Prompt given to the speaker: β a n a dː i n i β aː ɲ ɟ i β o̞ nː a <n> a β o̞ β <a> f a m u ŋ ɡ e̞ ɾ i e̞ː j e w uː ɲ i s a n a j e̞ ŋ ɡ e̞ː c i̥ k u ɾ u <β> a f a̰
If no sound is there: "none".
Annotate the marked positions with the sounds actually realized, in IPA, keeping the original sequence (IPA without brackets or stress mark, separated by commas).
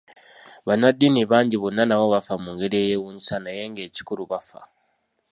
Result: n, a, β